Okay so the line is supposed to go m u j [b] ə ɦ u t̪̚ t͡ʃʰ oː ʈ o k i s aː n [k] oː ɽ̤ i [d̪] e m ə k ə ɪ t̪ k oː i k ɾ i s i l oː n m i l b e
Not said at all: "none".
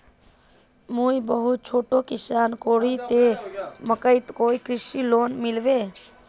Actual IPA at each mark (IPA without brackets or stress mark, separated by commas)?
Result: b, k, t̪